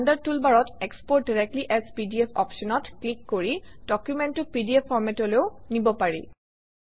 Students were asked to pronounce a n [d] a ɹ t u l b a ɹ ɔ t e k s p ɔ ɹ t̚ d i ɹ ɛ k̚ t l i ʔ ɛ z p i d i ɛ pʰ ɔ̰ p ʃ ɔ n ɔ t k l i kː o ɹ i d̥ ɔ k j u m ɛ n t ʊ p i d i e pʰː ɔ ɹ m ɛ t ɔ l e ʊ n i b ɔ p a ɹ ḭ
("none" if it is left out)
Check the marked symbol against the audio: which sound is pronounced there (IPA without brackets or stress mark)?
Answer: d